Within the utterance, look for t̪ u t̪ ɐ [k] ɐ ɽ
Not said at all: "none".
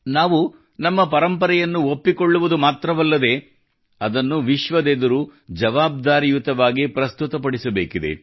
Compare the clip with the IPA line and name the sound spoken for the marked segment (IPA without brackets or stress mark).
p